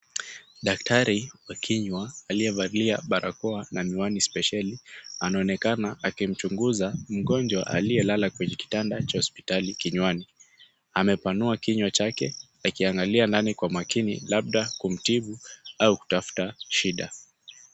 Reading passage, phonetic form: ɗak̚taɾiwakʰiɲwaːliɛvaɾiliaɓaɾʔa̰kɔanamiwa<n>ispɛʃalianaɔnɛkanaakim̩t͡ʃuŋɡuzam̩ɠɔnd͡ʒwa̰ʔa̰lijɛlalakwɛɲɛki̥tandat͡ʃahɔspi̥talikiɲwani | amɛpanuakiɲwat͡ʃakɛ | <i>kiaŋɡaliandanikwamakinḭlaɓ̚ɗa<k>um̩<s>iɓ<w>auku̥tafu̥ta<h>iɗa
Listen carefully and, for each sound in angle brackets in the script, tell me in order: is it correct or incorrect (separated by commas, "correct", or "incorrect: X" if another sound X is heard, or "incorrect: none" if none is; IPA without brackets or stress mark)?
correct, incorrect: a, correct, incorrect: t, incorrect: u, incorrect: ʃ